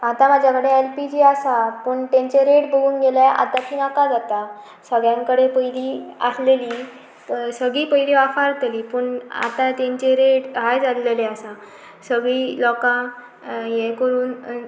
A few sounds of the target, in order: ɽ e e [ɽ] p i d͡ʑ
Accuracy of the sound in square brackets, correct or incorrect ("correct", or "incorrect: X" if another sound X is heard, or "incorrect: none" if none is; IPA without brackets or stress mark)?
incorrect: l